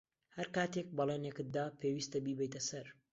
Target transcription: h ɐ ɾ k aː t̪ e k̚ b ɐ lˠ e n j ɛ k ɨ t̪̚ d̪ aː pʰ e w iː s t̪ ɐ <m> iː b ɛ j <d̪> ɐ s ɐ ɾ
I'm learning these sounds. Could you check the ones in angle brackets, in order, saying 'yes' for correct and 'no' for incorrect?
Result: no, no

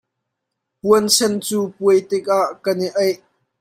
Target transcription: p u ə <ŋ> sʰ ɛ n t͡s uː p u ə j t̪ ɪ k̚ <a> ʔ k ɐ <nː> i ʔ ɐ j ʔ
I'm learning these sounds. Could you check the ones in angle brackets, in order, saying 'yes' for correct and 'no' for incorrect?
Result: no, yes, no

